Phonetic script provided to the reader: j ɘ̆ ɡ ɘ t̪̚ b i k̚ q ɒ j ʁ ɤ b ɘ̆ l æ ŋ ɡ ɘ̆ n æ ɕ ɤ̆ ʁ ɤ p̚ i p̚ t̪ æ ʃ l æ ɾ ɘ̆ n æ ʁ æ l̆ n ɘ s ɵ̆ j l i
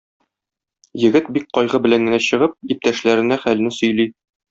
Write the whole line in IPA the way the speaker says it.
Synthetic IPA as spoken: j ɘ̆ ɡ ɘ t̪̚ b i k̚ q ɒ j ʁ ɤ b ɘ̆ l æ ŋ ɡ ɘ̆ n æ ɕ ɤ̆ ʁ ɤ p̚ i p̚ t̪ æ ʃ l æ ɾ ɘ̆ n æ χ æ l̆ n ɘ s ɵ̆ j l i